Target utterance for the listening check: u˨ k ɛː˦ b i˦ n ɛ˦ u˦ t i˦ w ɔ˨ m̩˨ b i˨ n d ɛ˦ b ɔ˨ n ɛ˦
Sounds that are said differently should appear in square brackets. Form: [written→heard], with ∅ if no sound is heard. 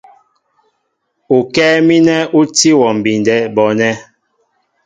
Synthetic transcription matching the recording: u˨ k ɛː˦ [b→m] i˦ n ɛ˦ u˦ t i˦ w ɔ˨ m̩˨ b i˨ n d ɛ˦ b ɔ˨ n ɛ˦